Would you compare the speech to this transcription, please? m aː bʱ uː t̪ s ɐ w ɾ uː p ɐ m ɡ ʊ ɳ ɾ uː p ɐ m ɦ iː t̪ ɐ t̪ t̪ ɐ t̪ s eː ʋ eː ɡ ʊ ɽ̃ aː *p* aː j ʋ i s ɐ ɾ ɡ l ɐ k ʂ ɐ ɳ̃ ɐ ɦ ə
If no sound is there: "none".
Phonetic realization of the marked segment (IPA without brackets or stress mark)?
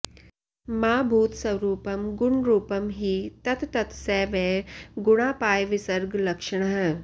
p